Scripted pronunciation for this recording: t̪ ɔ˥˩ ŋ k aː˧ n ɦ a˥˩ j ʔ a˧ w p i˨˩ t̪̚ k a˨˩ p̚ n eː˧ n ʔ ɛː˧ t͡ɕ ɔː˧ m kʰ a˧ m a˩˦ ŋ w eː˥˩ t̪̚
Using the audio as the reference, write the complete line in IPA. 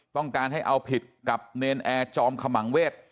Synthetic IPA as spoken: t̪ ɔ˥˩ ŋ k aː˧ n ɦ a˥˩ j ʔ a˧ w pʰ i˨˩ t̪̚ k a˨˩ p̚ n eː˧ n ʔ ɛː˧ t͡ɕ ɔː˧ m kʰ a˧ m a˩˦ ŋ w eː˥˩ t̪̚